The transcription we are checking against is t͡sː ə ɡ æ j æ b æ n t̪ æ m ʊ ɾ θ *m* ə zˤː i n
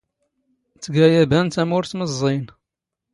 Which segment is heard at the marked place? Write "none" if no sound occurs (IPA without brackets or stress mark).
m